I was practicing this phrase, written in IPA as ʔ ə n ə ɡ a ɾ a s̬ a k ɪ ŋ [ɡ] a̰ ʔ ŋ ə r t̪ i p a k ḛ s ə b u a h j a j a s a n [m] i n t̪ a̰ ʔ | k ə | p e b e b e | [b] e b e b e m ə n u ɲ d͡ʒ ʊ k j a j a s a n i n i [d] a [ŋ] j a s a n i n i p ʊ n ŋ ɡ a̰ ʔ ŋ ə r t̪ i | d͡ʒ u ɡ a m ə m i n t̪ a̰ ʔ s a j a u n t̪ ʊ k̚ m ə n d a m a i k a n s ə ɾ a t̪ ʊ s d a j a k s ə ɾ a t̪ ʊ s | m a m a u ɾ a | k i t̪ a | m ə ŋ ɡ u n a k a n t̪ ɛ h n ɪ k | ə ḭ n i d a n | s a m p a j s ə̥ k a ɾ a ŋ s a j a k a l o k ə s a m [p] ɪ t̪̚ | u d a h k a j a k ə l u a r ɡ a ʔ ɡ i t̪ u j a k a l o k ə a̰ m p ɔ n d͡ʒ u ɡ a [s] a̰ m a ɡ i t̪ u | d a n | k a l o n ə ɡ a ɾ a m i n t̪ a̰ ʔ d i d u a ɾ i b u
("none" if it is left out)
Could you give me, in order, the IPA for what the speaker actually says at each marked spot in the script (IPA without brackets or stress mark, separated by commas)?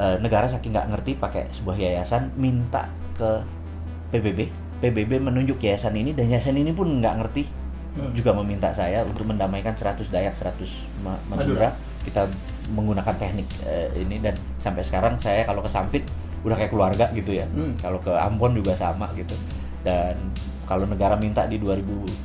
ɡ, m, p, d, n, p, s